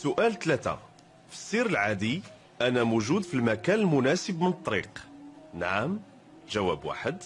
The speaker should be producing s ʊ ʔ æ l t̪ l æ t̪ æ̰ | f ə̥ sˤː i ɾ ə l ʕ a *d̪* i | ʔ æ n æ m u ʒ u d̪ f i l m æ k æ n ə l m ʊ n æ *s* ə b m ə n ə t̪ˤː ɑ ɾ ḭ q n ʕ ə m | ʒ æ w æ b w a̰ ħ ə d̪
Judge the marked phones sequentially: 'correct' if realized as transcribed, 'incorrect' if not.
correct, correct

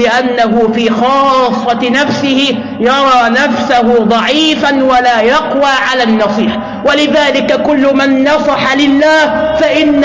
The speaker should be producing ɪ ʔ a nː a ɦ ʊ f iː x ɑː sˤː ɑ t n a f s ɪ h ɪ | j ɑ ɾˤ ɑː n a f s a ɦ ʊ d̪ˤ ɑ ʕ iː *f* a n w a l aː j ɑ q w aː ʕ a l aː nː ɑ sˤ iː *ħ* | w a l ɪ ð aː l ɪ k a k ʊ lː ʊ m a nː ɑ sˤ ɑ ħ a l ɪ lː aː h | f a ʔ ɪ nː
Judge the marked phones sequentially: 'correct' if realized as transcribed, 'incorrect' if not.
correct, correct

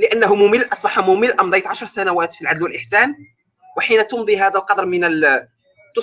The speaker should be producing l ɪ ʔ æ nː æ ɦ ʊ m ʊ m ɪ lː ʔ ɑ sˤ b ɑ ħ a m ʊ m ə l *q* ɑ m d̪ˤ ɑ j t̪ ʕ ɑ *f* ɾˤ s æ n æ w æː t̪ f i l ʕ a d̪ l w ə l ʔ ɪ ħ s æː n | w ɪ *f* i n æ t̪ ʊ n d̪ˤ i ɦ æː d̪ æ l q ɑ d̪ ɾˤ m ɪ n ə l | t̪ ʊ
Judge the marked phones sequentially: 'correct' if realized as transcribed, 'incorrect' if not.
incorrect, incorrect, incorrect

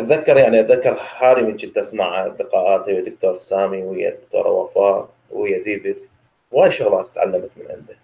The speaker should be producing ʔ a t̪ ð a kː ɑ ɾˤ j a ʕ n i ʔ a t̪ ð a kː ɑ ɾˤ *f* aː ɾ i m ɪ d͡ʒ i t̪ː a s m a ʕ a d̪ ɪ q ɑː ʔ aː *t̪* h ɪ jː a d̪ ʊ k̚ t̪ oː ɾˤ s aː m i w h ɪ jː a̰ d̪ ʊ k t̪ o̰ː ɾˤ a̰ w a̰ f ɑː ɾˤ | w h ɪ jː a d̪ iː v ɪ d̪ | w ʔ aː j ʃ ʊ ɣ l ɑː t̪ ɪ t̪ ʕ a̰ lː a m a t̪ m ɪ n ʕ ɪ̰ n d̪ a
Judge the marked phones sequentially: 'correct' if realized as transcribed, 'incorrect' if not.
incorrect, correct

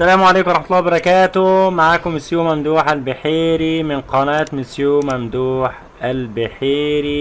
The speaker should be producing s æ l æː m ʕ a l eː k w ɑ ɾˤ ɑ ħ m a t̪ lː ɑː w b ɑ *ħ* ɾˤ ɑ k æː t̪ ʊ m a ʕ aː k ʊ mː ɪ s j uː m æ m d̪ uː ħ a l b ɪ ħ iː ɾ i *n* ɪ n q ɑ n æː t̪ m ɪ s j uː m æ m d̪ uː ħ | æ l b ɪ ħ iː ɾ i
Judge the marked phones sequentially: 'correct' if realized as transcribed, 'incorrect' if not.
incorrect, incorrect

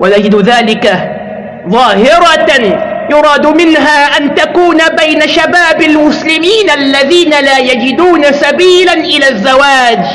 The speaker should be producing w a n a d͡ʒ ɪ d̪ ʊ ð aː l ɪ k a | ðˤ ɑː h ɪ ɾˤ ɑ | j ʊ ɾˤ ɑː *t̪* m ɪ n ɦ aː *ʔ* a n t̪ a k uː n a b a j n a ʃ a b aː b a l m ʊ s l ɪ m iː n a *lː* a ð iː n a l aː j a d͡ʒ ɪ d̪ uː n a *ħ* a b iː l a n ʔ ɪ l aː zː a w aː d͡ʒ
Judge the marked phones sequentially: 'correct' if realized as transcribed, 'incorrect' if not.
incorrect, correct, correct, incorrect

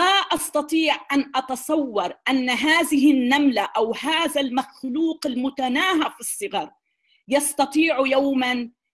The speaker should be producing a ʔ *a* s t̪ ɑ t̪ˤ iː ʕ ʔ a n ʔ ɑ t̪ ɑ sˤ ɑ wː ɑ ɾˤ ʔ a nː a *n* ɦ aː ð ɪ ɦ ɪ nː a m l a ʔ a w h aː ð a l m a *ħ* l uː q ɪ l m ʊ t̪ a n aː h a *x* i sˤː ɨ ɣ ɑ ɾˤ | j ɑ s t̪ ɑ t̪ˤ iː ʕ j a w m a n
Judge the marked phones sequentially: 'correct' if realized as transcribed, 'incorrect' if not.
incorrect, incorrect, incorrect, incorrect

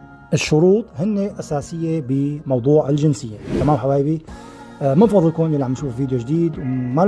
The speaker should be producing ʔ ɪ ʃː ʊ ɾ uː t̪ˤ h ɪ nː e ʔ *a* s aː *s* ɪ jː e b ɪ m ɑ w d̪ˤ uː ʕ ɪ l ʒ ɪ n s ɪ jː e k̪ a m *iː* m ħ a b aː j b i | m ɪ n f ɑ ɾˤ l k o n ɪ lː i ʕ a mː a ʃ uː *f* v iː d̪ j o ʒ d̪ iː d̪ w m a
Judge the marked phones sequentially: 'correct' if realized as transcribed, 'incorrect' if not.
correct, correct, incorrect, correct

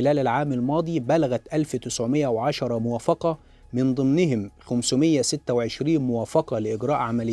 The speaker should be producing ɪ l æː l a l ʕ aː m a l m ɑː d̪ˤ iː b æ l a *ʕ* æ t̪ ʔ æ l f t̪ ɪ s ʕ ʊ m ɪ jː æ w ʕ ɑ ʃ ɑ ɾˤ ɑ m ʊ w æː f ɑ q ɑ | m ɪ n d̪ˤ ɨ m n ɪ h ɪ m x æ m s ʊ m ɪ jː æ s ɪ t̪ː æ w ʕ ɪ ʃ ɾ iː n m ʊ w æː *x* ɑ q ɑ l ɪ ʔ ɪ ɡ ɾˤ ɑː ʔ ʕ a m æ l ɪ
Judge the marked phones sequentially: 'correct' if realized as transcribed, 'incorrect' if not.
incorrect, incorrect

